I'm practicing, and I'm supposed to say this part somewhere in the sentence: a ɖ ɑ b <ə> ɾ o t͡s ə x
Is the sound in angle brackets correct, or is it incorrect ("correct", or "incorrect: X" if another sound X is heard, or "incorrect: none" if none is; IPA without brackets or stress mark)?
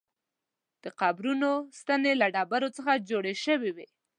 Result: incorrect: a